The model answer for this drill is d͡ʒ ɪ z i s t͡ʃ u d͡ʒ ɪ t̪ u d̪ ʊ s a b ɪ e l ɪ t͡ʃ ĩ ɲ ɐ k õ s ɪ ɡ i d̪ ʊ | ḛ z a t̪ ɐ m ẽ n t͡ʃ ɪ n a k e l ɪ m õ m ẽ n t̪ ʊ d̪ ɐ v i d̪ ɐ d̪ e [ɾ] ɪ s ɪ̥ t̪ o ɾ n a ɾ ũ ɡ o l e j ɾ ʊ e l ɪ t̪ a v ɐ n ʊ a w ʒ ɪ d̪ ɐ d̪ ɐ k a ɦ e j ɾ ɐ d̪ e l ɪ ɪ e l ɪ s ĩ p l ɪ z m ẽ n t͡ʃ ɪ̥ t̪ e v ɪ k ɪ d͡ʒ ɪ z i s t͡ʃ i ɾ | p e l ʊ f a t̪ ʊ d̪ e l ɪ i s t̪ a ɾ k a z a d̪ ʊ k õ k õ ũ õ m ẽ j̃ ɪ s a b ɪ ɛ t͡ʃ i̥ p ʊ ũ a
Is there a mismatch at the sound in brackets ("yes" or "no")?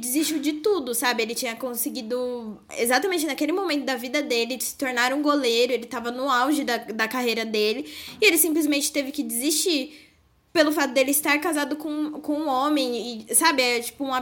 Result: yes